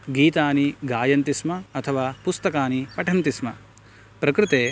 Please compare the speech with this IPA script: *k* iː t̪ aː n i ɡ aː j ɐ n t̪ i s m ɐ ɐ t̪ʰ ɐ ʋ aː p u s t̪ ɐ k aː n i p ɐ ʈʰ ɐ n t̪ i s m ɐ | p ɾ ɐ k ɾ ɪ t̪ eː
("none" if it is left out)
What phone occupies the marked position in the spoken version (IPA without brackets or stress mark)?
ɡ